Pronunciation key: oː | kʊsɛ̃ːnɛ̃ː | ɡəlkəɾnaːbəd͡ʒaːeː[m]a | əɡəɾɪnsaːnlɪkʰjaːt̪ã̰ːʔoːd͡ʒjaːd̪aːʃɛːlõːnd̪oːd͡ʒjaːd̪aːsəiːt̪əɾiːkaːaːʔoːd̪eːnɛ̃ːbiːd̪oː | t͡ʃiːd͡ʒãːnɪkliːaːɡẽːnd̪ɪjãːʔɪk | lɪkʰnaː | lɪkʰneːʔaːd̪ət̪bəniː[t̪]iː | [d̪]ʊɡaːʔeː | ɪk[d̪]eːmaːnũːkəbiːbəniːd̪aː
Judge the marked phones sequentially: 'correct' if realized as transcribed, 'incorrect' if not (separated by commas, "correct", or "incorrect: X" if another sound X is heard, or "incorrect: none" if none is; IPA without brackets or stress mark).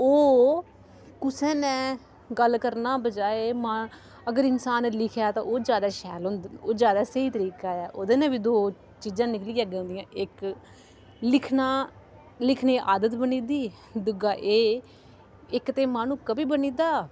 correct, incorrect: d̪, correct, incorrect: t̪